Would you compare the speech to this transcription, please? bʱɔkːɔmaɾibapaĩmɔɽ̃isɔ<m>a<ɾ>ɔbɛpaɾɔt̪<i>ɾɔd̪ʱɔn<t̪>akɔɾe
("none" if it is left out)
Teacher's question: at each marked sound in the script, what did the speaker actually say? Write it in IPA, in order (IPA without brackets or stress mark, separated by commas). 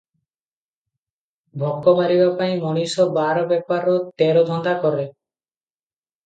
b, ɾ, e, d̪